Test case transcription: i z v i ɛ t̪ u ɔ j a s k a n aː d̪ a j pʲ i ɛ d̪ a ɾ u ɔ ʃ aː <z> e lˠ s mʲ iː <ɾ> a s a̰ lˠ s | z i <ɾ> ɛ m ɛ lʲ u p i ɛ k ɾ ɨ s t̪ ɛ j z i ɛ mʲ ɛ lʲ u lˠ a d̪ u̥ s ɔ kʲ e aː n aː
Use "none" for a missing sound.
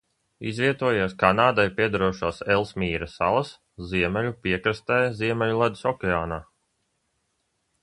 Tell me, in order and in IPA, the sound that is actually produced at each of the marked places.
s, ɾ, none

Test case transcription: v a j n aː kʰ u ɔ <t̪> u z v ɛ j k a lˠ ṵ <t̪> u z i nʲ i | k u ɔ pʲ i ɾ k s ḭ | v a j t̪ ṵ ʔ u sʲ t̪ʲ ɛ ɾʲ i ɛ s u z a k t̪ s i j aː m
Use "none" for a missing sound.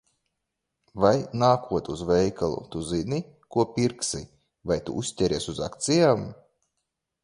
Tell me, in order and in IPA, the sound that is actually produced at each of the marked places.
t̪, t̪

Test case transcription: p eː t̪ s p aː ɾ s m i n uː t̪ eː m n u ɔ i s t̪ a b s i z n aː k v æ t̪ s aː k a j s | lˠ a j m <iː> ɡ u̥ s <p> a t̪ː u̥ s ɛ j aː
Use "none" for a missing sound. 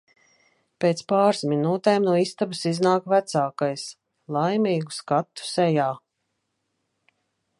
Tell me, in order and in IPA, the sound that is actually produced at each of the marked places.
iː, k

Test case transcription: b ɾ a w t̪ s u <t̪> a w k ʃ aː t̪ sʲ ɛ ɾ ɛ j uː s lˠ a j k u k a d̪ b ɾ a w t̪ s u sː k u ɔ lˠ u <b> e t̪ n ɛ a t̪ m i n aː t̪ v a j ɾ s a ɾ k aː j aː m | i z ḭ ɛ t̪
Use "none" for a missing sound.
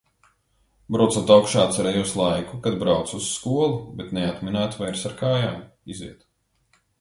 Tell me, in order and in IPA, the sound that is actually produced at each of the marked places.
t̪, b

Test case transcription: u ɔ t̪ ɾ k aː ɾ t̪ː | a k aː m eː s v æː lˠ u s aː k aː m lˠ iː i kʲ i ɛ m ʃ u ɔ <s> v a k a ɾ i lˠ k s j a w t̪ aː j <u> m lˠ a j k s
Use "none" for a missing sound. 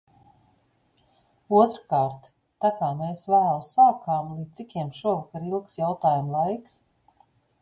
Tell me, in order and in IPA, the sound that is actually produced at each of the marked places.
none, u

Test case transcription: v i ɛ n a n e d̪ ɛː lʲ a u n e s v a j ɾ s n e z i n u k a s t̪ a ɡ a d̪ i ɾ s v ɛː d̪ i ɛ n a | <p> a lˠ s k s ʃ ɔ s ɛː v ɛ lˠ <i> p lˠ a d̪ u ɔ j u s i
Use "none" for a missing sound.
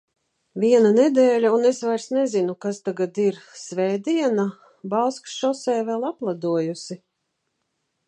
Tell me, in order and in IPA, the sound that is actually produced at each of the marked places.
b, a

